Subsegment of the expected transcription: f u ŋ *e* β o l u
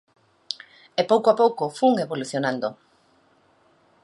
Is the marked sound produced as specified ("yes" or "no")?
yes